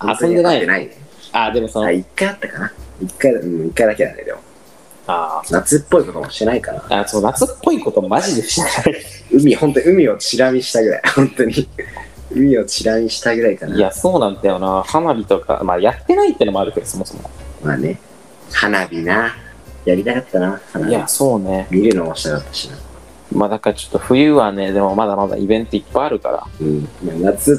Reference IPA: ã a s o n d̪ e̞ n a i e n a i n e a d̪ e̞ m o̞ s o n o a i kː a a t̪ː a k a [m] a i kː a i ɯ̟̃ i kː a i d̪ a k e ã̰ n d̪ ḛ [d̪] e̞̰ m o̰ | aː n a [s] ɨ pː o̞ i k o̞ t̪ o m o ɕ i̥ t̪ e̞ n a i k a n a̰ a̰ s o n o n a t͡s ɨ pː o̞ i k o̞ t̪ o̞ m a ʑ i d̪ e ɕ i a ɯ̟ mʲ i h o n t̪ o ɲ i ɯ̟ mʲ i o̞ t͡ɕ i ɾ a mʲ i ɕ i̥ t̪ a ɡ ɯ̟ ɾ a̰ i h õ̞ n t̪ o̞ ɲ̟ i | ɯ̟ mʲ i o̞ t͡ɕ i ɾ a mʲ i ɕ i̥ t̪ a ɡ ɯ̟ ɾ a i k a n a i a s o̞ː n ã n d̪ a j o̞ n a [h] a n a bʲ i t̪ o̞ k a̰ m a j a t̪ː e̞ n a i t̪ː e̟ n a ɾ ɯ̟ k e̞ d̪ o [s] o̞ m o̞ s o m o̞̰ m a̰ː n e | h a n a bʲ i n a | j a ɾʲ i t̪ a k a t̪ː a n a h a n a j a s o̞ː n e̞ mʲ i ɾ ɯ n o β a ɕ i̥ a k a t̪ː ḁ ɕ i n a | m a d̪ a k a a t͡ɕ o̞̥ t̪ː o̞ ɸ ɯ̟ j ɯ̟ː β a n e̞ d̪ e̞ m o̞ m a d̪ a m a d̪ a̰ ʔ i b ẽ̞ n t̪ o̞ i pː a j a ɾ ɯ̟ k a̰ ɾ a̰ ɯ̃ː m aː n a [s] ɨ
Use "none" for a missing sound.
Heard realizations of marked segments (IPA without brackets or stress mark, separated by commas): n, d̪, t͡s, h, s, t͡s